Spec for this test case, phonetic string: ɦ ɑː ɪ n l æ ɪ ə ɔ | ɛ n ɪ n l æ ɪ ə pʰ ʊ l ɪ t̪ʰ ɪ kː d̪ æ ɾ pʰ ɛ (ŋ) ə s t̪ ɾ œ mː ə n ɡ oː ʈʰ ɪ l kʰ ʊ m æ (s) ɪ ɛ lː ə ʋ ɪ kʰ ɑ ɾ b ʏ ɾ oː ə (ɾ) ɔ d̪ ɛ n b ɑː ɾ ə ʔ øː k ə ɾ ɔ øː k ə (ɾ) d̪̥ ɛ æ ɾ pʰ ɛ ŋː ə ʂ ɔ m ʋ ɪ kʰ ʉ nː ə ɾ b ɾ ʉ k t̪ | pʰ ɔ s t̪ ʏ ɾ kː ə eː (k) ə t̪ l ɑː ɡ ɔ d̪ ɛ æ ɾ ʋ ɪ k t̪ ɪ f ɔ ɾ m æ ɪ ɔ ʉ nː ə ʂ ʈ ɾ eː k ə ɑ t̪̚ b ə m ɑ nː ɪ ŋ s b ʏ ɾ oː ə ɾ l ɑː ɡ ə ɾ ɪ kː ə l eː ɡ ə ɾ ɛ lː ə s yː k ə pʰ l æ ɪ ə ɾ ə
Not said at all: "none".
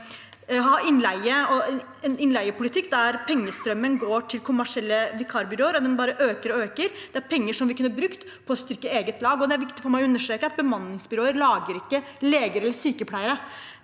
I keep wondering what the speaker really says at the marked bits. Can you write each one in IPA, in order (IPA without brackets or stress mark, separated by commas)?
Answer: ŋː, ʂ, ɾ, ɾ, ɡ